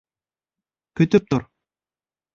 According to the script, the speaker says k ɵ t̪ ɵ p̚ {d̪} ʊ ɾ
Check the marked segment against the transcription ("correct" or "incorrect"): incorrect